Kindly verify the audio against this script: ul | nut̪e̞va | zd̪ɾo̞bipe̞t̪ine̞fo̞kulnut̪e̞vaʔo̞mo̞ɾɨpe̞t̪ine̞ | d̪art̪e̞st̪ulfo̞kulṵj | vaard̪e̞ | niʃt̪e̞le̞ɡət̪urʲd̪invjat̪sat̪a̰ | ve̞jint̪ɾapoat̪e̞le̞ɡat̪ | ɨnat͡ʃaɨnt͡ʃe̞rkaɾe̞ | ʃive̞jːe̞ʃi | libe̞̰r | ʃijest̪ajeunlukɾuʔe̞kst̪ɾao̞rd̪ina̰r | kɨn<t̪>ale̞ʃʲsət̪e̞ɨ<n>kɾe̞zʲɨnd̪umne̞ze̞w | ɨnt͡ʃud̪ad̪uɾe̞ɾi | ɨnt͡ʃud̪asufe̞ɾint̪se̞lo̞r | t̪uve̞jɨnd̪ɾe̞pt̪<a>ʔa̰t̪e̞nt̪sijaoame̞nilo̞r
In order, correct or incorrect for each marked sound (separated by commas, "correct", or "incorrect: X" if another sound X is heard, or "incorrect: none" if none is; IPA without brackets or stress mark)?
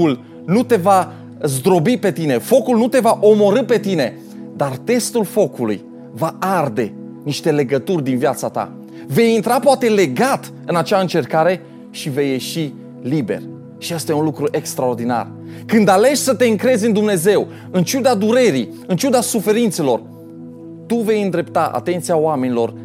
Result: incorrect: d̪, incorrect: ŋ, correct